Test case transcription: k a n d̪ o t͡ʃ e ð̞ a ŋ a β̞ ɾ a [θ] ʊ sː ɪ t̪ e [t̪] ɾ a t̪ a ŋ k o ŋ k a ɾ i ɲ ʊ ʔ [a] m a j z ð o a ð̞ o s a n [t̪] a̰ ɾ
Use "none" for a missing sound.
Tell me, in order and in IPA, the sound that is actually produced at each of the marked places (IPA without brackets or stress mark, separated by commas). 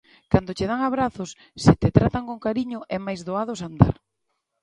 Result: θ, t̪, ɛ, d̪